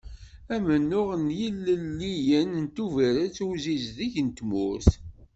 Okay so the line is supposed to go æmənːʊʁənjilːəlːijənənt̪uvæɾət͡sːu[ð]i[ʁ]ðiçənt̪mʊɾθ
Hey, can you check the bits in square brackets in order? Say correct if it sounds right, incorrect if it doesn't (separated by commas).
incorrect, incorrect